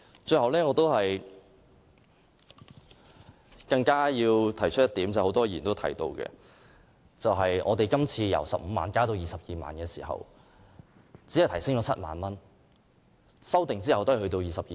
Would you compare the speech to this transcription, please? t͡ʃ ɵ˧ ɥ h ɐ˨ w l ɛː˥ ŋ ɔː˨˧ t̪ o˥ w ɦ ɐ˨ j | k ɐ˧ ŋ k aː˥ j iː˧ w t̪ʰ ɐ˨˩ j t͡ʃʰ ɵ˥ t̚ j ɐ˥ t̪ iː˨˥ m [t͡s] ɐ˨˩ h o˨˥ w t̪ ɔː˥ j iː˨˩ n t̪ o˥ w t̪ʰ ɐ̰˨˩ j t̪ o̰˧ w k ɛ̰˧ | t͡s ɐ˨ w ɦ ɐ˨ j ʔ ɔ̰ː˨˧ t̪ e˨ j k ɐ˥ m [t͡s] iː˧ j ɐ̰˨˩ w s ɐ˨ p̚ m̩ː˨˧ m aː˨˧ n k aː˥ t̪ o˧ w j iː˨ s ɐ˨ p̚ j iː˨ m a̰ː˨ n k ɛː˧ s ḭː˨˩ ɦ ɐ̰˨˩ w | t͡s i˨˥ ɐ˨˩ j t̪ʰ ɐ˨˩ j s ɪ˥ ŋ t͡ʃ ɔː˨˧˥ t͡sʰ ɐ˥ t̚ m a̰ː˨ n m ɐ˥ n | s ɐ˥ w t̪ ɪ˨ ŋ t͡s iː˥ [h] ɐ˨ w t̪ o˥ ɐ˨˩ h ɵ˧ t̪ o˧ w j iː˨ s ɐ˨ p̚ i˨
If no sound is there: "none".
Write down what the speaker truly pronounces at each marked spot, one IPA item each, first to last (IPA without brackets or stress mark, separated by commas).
t͡s, t͡sʰ, h